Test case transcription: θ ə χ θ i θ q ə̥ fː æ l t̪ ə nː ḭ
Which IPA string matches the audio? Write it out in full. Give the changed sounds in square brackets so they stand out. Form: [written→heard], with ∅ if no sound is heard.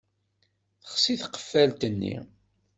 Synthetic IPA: θ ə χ [θ→s] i θ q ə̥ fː æ l t̪ ə nː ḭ